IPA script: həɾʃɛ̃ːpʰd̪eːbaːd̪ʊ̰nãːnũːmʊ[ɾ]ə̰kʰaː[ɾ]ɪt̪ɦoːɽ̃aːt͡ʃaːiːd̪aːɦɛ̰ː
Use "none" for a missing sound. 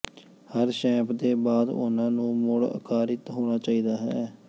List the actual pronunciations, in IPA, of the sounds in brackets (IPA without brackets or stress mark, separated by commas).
ɽ, ɾ